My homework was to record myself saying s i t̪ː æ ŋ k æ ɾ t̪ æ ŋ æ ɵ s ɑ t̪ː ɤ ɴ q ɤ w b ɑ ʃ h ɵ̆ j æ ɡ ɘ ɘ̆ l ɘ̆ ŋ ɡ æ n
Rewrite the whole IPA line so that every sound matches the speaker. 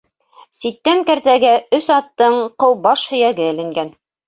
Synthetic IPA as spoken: s i t̪ː æ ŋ k æ ɾ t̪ æ ɡ æ ɵ s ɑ t̪ː ɤ ɴ q ɤ w b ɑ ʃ h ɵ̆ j æ ɡ ɘ ɘ̆ l ɘ̆ ŋ ɡ æ n